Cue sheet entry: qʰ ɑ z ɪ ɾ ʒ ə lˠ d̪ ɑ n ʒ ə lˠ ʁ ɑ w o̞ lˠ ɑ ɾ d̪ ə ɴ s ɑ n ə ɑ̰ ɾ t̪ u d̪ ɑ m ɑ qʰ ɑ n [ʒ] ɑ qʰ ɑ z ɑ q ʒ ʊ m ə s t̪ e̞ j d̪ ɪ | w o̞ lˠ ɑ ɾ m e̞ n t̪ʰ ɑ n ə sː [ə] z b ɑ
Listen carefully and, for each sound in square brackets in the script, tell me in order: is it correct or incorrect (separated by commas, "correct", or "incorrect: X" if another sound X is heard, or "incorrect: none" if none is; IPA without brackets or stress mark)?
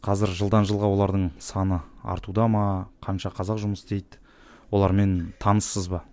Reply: incorrect: ʃ, correct